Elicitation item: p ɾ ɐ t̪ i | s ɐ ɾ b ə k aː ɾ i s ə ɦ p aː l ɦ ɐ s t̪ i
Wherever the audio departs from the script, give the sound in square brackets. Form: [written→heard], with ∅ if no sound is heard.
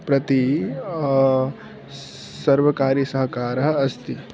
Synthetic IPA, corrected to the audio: p ɾ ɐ t̪ i | s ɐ ɾ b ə k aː ɾ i s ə ɦ [p→k] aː [l→ɾ] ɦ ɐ s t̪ i